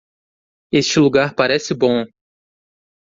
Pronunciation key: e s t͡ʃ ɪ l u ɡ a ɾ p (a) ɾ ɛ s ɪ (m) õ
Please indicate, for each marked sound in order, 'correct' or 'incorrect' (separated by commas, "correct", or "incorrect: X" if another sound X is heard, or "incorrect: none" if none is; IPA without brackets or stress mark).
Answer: correct, incorrect: b